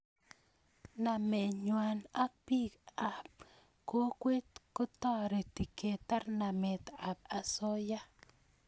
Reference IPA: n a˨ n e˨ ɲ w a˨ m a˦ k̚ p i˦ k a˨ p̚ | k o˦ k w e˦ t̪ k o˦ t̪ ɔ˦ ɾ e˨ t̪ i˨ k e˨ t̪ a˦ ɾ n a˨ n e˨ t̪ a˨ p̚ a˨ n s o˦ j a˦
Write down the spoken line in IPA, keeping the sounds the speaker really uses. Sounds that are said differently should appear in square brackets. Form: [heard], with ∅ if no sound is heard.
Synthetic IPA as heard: n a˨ [m] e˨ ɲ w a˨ [n] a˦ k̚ p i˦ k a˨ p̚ | k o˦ k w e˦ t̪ k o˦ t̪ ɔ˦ ɾ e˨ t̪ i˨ k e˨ t̪ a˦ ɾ n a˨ [m] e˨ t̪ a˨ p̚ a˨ [∅] s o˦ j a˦